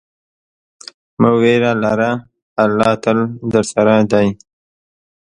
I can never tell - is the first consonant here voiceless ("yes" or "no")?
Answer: no